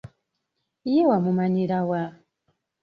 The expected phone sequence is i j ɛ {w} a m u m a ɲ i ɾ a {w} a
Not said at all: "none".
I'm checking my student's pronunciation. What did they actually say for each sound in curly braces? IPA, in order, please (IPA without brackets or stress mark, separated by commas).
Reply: w, w